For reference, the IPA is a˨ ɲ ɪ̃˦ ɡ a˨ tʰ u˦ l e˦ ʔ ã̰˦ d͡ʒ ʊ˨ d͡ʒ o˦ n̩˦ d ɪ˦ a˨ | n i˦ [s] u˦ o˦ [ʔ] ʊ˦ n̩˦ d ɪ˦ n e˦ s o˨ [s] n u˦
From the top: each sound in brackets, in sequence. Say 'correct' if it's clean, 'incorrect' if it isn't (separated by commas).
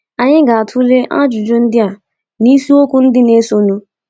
correct, incorrect, incorrect